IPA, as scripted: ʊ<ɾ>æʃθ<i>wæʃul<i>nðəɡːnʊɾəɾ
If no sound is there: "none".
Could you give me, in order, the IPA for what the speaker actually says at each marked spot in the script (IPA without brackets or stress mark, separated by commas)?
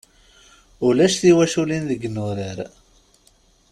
l, i, i